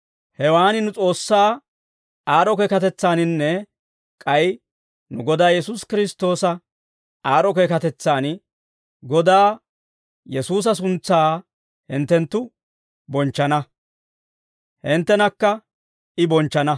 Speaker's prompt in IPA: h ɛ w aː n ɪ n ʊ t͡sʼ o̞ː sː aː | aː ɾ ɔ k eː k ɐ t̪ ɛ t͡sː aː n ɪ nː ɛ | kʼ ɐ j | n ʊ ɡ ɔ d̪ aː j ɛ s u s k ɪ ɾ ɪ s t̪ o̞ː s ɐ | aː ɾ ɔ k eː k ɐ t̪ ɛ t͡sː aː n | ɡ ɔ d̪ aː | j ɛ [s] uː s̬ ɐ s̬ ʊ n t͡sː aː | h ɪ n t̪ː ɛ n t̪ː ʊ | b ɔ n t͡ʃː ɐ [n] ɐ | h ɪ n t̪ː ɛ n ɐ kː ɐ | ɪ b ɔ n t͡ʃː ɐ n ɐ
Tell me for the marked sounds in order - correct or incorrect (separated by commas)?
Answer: correct, correct